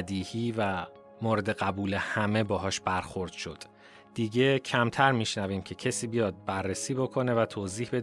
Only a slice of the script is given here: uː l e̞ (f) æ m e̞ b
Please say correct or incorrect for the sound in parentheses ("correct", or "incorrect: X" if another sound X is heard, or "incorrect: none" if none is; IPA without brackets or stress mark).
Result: incorrect: h